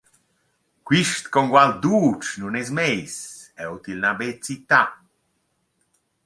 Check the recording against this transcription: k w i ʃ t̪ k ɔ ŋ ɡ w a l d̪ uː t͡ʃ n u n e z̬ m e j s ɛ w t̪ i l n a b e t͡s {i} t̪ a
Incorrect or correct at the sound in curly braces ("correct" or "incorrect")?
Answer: correct